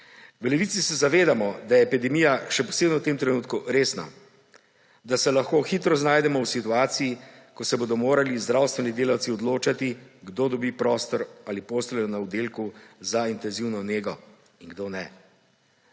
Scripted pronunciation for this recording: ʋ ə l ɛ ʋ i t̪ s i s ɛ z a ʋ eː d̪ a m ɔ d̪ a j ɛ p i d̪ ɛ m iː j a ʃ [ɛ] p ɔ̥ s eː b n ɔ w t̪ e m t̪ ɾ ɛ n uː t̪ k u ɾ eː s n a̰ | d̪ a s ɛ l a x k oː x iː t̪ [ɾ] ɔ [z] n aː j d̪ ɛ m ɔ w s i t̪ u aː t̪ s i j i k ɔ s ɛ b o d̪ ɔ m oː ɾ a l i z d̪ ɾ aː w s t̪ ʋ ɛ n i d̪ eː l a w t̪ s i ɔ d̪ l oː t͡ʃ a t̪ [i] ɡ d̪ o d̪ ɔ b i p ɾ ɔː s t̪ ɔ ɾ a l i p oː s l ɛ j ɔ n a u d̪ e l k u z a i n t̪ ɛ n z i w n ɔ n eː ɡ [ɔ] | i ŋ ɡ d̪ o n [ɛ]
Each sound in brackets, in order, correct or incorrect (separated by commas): correct, correct, correct, correct, correct, correct